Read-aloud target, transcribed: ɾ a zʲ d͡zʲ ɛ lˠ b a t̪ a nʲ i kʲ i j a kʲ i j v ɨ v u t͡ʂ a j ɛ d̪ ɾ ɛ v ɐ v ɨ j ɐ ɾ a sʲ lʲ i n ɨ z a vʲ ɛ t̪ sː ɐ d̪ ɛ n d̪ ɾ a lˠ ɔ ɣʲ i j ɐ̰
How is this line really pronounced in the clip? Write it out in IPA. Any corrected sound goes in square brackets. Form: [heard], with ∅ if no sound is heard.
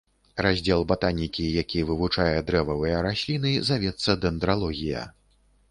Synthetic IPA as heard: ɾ a zʲ d͡zʲ ɛ lˠ b a t̪ a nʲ i kʲ i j a kʲ i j v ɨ v u t͡ʂ a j ɛ d̪ ɾ ɛ v ɐ v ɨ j ɐ ɾ a sʲ lʲ i n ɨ z a vʲ ɛ t̪ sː ɐ d̪ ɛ n d̪ ɾ a lˠ ɔ ɣʲ i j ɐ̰